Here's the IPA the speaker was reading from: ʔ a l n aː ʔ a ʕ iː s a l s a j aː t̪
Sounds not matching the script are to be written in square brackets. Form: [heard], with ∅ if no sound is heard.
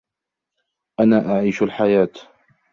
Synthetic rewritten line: ʔ a [∅] n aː ʔ a ʕ iː [ʃ] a l [ħ] a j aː t̪